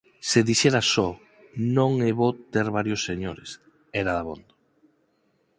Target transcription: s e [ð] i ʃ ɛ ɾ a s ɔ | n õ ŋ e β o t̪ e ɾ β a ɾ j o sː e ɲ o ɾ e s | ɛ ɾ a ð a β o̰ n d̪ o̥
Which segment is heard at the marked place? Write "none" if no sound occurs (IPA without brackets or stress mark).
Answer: ð